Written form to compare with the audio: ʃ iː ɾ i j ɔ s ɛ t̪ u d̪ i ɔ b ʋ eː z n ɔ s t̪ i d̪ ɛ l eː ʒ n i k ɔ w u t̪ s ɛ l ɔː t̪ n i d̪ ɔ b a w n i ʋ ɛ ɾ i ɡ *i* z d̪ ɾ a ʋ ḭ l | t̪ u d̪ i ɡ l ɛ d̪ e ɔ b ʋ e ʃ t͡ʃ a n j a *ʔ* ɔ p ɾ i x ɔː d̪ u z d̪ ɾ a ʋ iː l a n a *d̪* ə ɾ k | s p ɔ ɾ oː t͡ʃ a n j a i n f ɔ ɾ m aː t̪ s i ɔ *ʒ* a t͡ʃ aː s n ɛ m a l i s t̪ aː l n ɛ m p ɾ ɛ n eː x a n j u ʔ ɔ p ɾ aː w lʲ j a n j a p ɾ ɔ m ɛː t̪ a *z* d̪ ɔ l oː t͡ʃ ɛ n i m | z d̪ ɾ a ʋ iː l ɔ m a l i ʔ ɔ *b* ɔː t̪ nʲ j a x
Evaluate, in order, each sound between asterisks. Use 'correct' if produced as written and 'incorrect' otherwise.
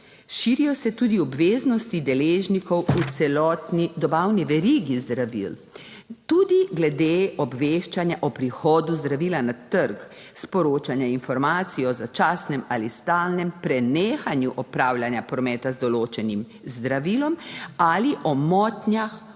correct, correct, incorrect, incorrect, correct, incorrect

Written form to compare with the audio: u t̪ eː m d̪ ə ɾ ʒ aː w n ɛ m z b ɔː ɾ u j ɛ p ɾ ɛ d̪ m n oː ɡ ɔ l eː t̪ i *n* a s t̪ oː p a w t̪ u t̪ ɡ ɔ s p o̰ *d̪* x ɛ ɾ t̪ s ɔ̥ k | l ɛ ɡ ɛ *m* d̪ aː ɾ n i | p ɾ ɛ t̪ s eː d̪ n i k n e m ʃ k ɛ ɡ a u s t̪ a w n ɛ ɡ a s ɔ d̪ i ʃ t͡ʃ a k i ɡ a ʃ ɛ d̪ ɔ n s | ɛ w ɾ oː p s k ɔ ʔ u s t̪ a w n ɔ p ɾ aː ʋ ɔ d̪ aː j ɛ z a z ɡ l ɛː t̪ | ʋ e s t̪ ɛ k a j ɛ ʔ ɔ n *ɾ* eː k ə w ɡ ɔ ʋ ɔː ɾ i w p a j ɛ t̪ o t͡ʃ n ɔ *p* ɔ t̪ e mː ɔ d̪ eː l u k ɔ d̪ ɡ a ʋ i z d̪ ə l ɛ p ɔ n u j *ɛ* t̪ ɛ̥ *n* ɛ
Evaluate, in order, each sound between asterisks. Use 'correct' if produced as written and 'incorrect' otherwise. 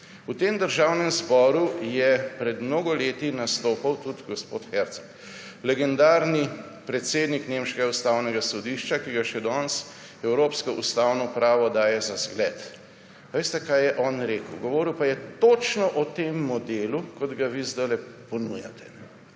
correct, incorrect, incorrect, correct, incorrect, incorrect, correct

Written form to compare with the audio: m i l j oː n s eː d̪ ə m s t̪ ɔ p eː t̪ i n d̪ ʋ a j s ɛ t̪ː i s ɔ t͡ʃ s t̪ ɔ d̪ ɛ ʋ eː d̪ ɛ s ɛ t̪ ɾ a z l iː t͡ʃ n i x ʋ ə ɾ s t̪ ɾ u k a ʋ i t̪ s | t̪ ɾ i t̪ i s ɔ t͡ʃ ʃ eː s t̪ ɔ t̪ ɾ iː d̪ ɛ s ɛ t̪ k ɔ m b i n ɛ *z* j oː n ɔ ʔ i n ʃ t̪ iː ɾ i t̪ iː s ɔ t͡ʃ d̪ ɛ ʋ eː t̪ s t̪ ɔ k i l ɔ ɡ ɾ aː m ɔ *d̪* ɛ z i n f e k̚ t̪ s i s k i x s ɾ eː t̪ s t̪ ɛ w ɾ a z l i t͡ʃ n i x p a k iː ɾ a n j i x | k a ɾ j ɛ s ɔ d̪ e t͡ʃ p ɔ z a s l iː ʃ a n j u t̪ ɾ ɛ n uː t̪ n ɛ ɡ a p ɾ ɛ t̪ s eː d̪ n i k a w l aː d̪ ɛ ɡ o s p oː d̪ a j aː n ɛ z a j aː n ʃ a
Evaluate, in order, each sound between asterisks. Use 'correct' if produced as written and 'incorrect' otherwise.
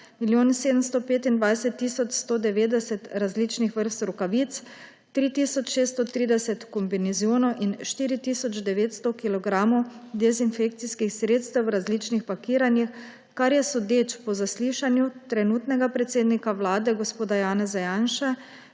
correct, correct

